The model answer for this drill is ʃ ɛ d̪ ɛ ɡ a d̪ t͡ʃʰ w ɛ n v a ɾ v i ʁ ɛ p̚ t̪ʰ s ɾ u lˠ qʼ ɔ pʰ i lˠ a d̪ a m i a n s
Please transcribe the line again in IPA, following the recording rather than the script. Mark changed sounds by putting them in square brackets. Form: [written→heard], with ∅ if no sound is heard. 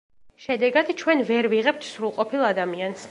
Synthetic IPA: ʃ ɛ d̪ ɛ ɡ a d̪ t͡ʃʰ w ɛ n v [a→ɛ] ɾ v i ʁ ɛ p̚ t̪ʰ s ɾ u lˠ qʼ ɔ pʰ i lˠ a d̪ a m i a n s